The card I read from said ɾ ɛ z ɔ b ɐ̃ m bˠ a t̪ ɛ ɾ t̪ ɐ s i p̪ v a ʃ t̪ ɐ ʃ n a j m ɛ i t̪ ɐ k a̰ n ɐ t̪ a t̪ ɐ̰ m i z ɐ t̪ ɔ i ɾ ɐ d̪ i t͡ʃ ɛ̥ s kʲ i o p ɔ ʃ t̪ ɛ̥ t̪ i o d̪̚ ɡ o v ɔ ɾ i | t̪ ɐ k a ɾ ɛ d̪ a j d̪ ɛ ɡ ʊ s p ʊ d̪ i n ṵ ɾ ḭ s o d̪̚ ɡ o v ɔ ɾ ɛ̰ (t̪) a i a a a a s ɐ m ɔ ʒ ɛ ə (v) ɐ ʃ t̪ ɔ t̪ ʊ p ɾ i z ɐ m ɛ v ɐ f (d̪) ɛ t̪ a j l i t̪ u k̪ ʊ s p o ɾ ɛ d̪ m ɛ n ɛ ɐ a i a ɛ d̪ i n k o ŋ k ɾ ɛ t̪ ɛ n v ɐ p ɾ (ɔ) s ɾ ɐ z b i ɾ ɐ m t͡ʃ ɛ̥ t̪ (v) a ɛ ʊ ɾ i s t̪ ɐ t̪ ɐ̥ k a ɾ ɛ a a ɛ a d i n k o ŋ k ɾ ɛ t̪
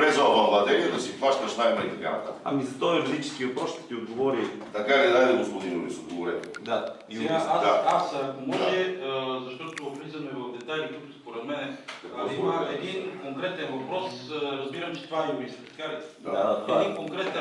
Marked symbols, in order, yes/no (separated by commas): no, no, yes, yes, yes